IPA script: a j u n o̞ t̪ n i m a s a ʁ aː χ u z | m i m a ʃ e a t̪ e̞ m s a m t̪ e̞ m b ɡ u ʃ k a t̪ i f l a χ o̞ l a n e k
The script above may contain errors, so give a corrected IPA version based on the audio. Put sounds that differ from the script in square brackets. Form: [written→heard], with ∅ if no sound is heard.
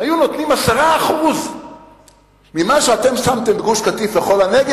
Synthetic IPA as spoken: a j u n o̞ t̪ n i m a s a ʁ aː χ u z | m i m a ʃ e a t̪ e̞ m s a m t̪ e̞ m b ɡ u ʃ k a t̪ i f l [a→e] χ o̞ l a n e [k→ɡ]